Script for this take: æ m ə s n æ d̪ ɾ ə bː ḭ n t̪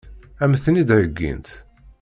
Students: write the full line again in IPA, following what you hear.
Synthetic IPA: æ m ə θ n i d̪ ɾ ə ɡː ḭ n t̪